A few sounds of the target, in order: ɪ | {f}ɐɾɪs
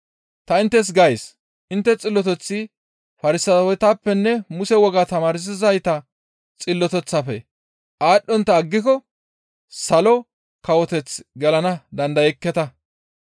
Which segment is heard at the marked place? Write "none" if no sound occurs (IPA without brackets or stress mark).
f